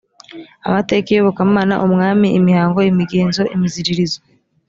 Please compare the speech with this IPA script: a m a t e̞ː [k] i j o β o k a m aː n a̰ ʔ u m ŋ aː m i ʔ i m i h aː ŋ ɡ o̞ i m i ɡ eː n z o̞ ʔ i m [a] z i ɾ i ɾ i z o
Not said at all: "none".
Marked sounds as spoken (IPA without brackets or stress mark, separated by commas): k, i